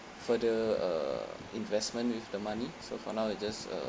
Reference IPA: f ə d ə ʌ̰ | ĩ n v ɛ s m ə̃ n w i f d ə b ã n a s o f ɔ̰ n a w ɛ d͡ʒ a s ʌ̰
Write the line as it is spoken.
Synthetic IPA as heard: f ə d ə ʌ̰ | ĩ n v ɛ s m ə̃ n w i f d ə m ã n i s o f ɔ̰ n a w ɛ d͡ʒ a s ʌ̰